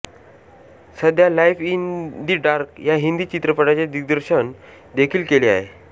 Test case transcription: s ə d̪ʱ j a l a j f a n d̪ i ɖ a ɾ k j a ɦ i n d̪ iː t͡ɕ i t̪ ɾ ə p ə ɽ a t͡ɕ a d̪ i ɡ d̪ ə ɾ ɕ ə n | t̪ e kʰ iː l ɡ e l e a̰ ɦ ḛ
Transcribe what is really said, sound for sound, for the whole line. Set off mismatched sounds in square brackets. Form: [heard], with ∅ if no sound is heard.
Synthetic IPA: s ə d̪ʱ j a l a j f [i] n d̪ i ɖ a ɾ k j a ɦ i n d̪ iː t͡ɕ i t̪ ɾ ə p ə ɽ a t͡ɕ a d̪ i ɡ d̪ ə ɾ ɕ ə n | [d̪] e kʰ iː l [k] e l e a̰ ɦ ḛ